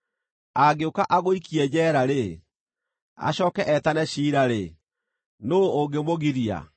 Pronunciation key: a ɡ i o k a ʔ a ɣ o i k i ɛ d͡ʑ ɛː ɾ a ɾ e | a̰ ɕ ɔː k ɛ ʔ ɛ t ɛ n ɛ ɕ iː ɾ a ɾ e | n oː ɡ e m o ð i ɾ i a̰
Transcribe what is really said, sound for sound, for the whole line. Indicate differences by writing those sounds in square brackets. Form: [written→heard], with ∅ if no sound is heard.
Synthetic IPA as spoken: a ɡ [i→e] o k a ʔ a ɣ o i k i ɛ d͡ʑ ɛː ɾ a ɾ e | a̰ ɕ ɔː k ɛ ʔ ɛ t [ɛ→a] n ɛ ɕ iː ɾ a ɾ e | n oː ɡ e m o [ð→ɣ] i ɾ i a̰